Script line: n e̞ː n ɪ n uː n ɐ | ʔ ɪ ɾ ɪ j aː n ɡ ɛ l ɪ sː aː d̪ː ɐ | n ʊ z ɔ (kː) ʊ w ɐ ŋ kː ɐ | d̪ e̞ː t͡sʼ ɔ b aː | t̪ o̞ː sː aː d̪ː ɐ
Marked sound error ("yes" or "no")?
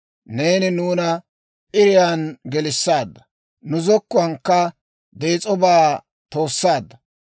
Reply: no